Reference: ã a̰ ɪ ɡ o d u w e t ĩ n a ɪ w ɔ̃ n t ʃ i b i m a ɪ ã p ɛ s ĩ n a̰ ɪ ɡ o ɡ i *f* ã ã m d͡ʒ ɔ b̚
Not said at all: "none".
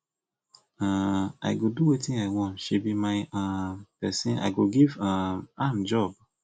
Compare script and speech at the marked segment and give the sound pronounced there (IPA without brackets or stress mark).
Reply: v